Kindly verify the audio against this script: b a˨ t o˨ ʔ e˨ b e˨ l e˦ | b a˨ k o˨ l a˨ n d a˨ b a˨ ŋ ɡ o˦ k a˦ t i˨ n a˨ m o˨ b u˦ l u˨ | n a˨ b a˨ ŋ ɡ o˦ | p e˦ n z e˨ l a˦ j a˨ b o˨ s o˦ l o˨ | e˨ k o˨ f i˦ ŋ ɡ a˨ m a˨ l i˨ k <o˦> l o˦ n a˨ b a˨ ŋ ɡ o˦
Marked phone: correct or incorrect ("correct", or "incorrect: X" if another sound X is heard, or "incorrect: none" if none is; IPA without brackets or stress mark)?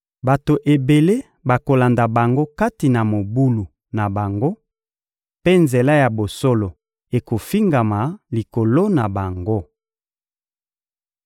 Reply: incorrect: o˨